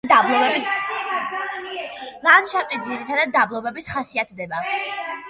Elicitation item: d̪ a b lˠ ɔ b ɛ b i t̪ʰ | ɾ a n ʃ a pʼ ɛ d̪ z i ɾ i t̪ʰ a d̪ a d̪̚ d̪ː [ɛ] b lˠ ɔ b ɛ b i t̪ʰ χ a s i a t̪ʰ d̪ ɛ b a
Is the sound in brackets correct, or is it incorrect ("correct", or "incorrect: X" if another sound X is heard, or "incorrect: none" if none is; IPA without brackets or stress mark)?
incorrect: a